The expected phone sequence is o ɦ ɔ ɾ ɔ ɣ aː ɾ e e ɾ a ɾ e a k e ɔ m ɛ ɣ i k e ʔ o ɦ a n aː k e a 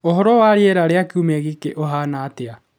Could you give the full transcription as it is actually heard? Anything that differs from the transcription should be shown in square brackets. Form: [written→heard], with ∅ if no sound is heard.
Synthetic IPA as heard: o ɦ ɔ ɾ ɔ [ɣ→w] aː ɾ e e ɾ a ɾ e a k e [ɔ→u] m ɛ ɣ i k e ʔ o ɦ a n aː [k→t] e a